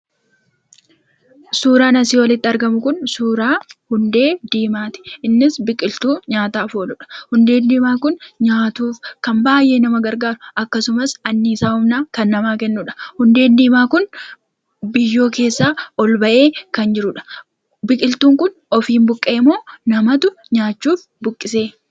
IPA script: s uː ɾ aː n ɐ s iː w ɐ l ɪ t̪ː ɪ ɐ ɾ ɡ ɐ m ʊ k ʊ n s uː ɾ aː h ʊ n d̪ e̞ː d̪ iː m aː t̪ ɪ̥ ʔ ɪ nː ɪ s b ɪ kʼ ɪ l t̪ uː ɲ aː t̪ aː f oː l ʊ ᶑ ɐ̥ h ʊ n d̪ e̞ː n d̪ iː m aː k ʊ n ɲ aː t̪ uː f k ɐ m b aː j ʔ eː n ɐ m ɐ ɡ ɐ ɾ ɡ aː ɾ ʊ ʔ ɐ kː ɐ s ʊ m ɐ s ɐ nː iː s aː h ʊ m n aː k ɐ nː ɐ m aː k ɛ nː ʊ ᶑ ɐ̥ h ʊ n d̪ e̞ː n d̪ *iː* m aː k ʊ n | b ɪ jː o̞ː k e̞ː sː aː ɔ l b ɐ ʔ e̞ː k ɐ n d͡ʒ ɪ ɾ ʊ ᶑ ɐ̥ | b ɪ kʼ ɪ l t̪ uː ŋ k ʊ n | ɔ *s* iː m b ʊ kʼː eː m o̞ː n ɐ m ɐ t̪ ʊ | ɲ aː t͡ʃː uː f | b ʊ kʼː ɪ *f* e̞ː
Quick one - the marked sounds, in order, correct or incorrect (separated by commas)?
correct, incorrect, incorrect